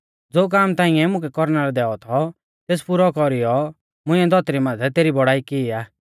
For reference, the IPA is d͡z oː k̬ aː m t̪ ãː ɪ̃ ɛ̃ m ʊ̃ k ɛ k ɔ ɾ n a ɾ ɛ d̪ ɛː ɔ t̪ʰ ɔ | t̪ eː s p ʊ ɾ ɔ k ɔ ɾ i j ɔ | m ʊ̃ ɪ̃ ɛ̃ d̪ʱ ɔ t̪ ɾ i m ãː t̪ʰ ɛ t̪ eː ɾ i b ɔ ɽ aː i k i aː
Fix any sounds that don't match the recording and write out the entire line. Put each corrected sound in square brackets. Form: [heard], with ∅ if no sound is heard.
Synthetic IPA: d͡z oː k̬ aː m t̪ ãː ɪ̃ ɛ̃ m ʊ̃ k ɛ k ɔ ɾ n a ɾ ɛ d̪ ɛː ɔ t̪ʰ ɔ | t̪ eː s p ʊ ɾ ɔ k ɔ ɾ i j ɔ | m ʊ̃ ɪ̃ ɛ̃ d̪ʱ ɔ t̪ ɾ i m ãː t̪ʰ ɛ t̪ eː ɾ i b ɔ ɽ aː i k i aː